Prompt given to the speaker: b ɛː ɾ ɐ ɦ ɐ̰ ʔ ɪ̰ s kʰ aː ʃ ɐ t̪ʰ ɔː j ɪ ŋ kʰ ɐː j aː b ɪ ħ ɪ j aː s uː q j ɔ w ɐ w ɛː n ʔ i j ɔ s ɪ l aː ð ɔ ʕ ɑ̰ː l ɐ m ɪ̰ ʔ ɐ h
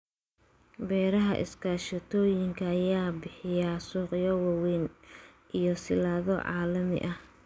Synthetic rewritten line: b ɛː ɾ ɐ ɦ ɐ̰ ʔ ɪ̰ s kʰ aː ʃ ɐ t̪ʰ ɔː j ɪ ŋ kʰ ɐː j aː b ɪ ħ ɪ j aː s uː q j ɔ w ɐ w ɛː n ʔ i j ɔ s ɪ l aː ð ɔ ʕ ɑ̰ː l ɐ m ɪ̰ ʔ ɐ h